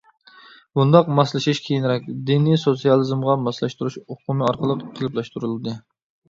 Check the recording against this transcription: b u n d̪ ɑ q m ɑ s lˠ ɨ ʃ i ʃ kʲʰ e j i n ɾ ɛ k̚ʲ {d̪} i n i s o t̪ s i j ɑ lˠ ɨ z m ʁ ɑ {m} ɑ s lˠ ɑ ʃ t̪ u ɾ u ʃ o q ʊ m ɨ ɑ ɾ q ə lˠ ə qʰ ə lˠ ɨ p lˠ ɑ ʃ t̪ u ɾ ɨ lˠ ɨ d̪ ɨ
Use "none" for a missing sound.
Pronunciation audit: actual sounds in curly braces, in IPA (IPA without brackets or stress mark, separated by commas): d̪, m